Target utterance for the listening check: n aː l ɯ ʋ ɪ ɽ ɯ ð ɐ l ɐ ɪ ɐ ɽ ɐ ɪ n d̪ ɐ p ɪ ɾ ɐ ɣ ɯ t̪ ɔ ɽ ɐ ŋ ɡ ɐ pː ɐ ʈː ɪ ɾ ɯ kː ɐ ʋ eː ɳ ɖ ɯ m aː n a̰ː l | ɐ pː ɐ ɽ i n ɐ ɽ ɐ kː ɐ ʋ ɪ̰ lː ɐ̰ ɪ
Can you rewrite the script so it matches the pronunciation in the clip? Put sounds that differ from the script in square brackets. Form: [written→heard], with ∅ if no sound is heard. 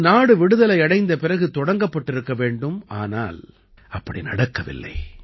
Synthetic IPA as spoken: n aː [l→ɽ] ɯ ʋ ɪ ɽ ɯ ð ɐ l ɐ ɪ ɐ ɽ ɐ ɪ n d̪ ɐ p ɪ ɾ ɐ ɣ ɯ t̪ ɔ ɽ ɐ ŋ ɡ ɐ pː ɐ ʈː ɪ ɾ ɯ kː ɐ ʋ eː ɳ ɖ ɯ m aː n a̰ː l | ɐ pː ɐ ɽ i n ɐ ɽ ɐ kː ɐ ʋ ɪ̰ lː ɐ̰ ɪ

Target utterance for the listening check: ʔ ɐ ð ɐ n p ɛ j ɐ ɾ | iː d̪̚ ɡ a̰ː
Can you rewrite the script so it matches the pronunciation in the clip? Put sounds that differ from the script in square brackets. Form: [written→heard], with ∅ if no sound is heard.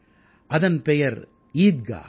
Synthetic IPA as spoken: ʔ ɐ ð ɐ n p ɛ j ɐ ɾ | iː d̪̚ ɡ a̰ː

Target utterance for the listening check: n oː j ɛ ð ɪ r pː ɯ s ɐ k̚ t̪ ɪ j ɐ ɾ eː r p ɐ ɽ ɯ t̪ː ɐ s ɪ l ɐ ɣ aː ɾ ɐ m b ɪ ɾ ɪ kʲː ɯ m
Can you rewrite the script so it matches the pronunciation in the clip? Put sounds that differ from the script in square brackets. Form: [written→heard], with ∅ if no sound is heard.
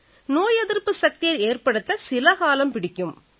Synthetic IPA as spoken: n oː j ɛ ð ɪ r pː ɯ s ɐ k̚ t̪ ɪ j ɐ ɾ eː r p ɐ ɽ ɯ t̪ː ɐ s ɪ l ɐ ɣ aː [ɾ→l] ɐ m [b→p] ɪ [ɾ→ɽ] ɪ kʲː ɯ m

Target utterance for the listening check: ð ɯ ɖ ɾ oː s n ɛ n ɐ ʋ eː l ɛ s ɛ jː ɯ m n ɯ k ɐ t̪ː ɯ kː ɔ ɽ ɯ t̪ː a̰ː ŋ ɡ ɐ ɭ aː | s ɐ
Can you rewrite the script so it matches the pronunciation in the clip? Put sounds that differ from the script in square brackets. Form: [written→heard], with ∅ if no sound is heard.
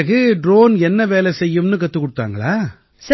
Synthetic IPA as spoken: [ð→ɣ] ɯ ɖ ɾ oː [s→∅] n ɛ [n→nː] ɐ ʋ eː l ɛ s ɛ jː ɯ m n ɯ k ɐ t̪ː ɯ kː ɔ ɽ ɯ t̪ː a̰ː ŋ ɡ ɐ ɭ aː | s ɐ

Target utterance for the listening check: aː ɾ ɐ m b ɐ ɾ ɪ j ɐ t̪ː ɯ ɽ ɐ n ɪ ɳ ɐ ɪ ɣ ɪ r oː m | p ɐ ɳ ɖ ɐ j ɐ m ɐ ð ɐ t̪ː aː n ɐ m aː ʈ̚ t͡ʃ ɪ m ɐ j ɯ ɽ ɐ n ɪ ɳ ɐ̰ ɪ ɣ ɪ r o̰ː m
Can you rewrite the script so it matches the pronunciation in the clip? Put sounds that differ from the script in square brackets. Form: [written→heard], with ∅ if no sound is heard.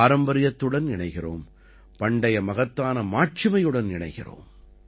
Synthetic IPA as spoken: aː ɾ ɐ m b ɐ ɾ ɪ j ɐ t̪ː ɯ ɽ ɐ n ɪ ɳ ɐ ɪ ɣ ɪ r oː m | p ɐ ɳ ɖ ɐ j ɐ m ɐ [ð→ɣ] ɐ t̪ː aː n ɐ m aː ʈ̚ t͡ʃ ɪ m ɐ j ɯ ɽ ɐ n ɪ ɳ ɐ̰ ɪ ɣ ɪ r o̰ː m

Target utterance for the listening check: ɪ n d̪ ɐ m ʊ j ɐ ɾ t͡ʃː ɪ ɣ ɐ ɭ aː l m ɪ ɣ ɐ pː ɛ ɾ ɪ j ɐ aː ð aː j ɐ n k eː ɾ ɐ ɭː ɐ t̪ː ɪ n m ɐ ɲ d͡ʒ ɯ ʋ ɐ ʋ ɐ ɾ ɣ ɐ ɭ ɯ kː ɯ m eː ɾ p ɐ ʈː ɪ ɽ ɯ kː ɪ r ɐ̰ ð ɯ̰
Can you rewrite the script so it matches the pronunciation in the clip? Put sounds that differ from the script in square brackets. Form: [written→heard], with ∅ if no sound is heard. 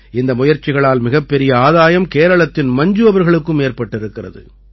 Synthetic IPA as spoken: ɪ n d̪ ɐ m ʊ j ɐ ɾ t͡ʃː ɪ ɣ ɐ ɭ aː l m ɪ ɣ ɐ pː ɛ ɾ ɪ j ɐ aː ð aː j ɐ [n→m] k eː ɾ ɐ [ɭː→ɭ] ɐ t̪ː ɪ n m ɐ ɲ d͡ʒ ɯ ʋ ɐ ʋ ɐ ɾ ɣ ɐ ɭ ɯ kː ɯ m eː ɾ p ɐ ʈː ɪ [ɽ→ɾ] ɯ kː ɪ r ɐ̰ ð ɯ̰

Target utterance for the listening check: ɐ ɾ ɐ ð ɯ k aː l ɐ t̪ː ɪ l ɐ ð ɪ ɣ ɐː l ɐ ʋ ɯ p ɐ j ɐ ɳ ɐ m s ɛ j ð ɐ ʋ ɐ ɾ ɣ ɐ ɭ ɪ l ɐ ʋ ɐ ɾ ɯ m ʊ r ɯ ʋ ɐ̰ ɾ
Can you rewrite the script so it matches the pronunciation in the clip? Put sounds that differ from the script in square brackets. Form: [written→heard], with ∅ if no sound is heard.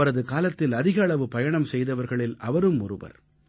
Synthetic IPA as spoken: ɐ ɾ ɐ ð ɯ k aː l ɐ t̪ː ɪ l ɐ ð ɪ ɣ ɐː [l→ɭ] ɐ ʋ ɯ p ɐ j ɐ ɳ ɐ m s ɛ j ð ɐ ʋ ɐ ɾ ɣ ɐ ɭ ɪ l ɐ ʋ ɐ ɾ ɯ m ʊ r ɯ ʋ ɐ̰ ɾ

